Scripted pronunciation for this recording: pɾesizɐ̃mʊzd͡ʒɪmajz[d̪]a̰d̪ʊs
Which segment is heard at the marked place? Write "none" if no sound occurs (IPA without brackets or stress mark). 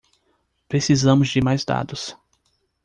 d̪